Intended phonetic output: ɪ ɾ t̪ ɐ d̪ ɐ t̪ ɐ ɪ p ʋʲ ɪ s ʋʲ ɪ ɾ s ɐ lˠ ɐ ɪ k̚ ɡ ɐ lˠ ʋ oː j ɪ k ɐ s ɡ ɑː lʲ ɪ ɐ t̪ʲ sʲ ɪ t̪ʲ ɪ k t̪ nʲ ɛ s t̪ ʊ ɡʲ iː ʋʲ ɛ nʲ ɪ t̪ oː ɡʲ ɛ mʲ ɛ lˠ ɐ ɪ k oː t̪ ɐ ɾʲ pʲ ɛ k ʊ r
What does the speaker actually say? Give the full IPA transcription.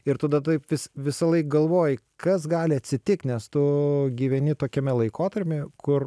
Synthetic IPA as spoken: ɪ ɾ t̪ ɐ d̪ ɐ t̪ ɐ ɪ p ʋʲ ɪ s ʋʲ ɪ s ɐ lˠ ɐ ɪ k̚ ɡ ɐ lˠ ʋ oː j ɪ k ɐ s ɡ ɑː lʲ ɪ ɐ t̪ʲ sʲ ɪ t̪ʲ ɪ k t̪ nʲ ɛ s t̪ ʊ ɡʲ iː ʋʲ ɛ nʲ ɪ t̪ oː kʲ ɛ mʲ ɛ lˠ ɐ ɪ k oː t̪ ɐ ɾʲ pʲ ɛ k ʊ r